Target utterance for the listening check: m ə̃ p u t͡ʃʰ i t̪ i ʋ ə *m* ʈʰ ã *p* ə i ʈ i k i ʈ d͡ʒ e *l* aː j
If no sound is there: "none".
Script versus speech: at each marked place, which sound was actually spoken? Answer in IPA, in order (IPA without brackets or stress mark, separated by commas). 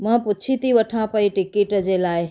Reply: none, p, l